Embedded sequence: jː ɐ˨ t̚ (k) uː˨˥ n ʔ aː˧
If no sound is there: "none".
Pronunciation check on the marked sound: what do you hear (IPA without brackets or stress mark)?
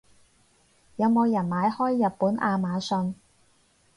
p